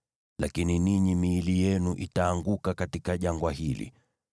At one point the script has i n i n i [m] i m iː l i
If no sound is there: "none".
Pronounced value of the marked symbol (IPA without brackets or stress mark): ɲ